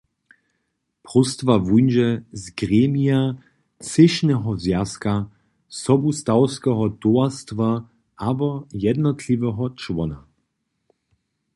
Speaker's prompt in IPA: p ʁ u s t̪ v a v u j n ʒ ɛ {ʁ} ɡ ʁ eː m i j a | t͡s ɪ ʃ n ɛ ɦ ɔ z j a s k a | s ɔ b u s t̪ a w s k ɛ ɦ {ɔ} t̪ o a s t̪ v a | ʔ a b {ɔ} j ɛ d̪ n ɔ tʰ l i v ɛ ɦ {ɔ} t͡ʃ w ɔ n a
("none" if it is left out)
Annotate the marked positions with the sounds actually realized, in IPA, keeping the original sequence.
z, ɔ, ɔ, ɔ

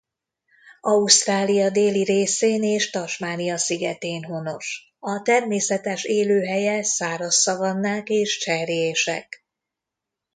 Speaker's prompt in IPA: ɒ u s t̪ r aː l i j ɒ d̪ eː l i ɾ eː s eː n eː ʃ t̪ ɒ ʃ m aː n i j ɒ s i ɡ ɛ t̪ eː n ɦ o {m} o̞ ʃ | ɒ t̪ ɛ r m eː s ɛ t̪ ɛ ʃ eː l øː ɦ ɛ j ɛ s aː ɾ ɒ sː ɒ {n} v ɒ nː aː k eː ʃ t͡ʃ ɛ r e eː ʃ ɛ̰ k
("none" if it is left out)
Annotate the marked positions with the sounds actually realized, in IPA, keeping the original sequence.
n, none

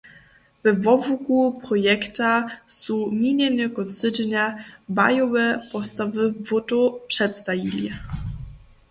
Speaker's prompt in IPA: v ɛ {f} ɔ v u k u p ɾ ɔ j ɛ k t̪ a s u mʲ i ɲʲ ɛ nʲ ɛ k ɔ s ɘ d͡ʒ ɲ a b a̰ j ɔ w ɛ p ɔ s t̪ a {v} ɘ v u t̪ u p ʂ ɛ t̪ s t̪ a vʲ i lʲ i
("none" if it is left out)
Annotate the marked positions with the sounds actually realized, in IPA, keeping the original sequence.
v, v

